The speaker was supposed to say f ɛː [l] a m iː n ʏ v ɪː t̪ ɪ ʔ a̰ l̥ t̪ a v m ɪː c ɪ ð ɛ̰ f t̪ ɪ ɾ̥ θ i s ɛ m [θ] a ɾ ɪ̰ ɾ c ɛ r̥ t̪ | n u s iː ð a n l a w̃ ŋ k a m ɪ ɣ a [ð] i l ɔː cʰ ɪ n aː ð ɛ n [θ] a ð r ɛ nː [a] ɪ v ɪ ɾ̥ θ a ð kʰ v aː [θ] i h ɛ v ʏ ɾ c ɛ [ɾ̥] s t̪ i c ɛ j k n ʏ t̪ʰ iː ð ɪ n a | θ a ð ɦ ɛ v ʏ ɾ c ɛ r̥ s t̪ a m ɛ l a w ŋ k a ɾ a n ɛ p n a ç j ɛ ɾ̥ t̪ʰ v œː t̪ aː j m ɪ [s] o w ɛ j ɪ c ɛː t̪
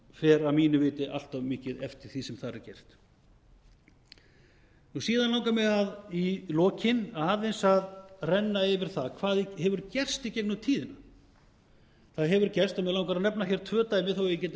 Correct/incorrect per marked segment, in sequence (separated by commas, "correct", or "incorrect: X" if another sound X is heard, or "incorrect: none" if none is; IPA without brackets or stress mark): incorrect: ɾ, correct, correct, incorrect: s, correct, incorrect: ð, incorrect: r̥, incorrect: θ